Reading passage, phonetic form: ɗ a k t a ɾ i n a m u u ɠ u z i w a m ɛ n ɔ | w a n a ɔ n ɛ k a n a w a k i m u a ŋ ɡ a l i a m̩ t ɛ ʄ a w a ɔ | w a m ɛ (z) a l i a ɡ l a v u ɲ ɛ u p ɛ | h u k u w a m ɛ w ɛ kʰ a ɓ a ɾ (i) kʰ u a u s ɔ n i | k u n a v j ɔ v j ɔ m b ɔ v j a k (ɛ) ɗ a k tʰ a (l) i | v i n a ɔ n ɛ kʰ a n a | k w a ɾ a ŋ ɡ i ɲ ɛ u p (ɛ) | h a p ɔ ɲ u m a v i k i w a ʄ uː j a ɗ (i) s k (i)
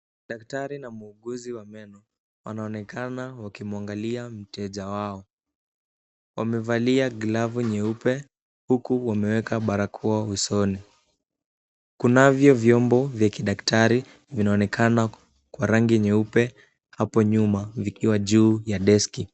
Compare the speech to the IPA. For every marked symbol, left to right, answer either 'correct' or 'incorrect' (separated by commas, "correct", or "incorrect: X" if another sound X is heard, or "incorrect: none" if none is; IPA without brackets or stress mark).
incorrect: v, incorrect: a, incorrect: i, incorrect: ɾ, correct, incorrect: ɛ, correct